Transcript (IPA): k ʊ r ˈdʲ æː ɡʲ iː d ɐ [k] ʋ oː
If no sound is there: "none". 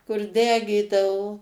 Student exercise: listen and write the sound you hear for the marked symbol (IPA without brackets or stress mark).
none